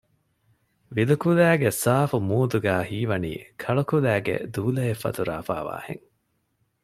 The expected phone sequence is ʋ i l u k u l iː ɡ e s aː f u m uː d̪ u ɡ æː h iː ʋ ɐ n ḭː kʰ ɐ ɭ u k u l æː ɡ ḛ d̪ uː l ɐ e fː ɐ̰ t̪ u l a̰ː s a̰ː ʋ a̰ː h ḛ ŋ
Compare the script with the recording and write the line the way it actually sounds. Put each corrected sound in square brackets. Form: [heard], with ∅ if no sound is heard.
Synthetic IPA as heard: ʋ i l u k u l [æː] ɡ e s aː f u m uː d̪ u ɡ æː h iː ʋ ɐ n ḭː kʰ ɐ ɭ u k u l æː ɡ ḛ d̪ uː l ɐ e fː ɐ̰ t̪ u [ɾ] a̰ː [f] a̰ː ʋ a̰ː h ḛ ŋ